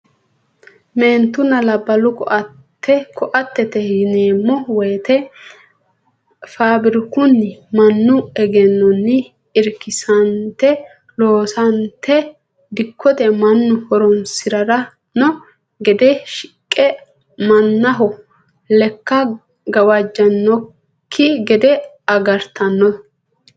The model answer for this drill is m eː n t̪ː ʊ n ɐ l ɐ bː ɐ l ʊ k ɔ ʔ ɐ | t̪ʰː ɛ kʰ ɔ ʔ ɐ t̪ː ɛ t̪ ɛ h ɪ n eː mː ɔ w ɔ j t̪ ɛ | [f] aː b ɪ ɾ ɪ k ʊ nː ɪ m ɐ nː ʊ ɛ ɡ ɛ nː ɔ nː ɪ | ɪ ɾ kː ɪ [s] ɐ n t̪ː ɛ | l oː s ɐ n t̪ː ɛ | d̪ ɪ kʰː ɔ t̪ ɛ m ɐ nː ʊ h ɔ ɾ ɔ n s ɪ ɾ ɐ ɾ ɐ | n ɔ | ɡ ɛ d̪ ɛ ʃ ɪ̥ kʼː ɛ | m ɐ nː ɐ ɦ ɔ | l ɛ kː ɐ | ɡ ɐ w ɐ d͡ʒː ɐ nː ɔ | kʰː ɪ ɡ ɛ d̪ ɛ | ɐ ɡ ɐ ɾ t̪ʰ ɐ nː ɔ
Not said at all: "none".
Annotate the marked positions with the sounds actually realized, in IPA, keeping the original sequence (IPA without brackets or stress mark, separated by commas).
f, s